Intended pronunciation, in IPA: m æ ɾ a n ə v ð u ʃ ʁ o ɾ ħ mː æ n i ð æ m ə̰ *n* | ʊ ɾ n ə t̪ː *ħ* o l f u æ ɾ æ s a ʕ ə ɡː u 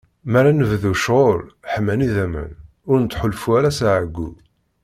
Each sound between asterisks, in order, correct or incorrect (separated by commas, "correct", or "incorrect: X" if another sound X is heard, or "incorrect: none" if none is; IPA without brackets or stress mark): correct, correct